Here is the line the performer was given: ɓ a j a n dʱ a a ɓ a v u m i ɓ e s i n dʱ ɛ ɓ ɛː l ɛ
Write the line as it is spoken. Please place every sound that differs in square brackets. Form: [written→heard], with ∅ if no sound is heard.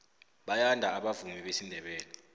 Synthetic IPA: ɓ a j a n dʱ a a ɓ a v u m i ɓ e s i n dʱ ɛ ɓ ɛː l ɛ